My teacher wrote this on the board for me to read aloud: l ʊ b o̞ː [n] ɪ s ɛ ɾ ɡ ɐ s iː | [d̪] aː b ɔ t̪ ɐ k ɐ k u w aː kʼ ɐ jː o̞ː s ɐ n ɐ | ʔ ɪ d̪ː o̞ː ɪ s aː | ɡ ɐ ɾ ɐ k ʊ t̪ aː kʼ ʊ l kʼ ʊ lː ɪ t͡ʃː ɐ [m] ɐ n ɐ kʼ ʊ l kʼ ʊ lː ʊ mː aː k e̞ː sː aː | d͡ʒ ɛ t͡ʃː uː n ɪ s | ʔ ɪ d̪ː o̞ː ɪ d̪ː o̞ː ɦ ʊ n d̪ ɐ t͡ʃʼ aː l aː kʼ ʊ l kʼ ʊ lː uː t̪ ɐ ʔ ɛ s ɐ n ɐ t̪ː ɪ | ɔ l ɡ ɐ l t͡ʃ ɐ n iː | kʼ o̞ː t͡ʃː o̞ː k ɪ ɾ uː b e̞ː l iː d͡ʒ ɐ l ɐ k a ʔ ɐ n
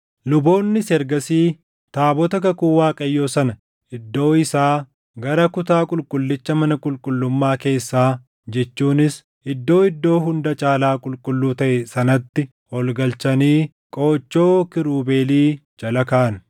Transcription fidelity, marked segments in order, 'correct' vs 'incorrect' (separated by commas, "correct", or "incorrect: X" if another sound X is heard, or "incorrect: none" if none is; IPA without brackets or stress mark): incorrect: nː, incorrect: t̪, correct